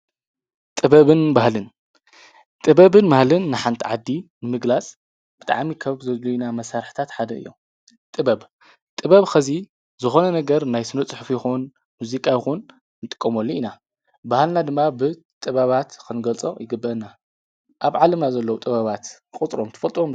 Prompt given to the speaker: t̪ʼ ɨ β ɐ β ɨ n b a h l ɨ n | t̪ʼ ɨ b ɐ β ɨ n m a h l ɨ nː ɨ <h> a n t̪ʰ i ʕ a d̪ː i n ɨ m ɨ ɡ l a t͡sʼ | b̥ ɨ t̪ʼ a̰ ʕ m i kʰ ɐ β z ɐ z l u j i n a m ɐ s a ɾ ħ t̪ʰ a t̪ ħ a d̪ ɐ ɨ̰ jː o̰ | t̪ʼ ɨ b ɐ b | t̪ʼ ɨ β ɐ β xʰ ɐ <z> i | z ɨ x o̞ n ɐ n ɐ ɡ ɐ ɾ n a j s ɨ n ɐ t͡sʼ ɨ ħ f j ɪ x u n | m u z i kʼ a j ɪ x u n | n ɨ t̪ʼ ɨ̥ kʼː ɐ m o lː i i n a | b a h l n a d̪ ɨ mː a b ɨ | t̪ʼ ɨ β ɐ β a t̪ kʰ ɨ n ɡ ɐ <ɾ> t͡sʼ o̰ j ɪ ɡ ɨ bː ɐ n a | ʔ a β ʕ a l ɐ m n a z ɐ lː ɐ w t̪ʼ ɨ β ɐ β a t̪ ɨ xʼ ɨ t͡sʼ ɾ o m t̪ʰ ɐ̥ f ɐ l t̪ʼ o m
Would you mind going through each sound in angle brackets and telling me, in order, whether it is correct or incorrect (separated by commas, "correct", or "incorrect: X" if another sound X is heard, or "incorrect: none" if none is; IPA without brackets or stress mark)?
incorrect: ħ, correct, incorrect: l